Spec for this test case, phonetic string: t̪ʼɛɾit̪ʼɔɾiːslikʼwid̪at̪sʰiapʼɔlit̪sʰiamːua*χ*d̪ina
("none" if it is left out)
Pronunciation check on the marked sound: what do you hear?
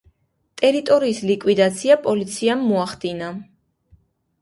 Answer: χ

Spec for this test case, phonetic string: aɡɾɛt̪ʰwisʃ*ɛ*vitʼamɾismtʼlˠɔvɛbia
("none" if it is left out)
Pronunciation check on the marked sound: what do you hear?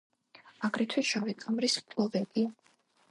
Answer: a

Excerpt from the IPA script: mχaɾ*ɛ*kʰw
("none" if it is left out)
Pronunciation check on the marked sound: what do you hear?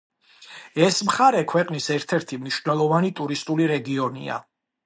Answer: ɛ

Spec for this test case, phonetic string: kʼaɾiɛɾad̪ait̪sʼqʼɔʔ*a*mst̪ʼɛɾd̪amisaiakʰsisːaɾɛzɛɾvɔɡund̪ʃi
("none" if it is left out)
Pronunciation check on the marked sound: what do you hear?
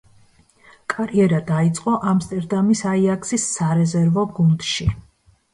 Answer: a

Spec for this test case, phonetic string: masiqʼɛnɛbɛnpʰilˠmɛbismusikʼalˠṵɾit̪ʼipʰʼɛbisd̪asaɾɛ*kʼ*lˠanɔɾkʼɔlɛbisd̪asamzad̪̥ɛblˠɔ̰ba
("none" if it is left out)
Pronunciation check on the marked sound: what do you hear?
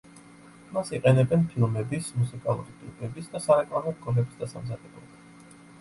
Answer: kʼ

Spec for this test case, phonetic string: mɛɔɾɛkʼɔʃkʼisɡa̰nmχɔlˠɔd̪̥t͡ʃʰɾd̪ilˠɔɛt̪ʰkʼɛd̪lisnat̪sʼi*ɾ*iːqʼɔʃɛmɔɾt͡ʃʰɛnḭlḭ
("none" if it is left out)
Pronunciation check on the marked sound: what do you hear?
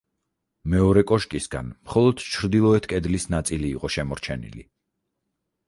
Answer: l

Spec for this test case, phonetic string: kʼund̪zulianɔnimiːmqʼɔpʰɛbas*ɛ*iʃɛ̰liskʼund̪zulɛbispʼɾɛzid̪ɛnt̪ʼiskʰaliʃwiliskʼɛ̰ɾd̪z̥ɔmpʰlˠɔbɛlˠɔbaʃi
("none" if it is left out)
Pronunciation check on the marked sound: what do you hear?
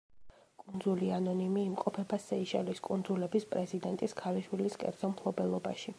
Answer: ɛ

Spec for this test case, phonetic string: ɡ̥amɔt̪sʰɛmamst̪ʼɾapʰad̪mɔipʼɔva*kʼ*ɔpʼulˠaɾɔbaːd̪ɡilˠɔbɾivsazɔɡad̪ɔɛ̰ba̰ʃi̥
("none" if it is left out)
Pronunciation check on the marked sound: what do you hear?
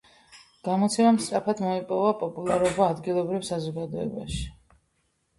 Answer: pʼ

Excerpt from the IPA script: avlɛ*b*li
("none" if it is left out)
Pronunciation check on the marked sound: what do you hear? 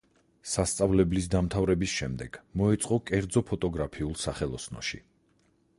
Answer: b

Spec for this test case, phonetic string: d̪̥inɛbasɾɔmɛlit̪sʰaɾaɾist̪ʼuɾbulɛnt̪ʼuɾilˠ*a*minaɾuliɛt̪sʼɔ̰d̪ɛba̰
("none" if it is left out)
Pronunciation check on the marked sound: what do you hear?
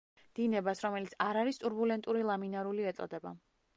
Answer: a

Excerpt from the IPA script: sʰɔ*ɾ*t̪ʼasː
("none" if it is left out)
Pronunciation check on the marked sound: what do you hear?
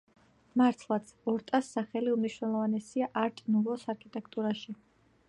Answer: ɾ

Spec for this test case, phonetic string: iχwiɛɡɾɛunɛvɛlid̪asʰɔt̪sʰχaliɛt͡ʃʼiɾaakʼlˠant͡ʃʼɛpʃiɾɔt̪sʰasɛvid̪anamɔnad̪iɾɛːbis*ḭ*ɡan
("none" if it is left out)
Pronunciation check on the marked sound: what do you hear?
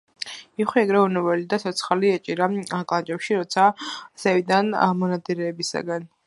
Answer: a̰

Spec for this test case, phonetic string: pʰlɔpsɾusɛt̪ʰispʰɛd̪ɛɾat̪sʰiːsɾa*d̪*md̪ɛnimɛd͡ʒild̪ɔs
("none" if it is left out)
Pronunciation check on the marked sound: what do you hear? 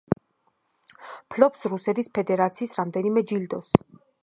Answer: none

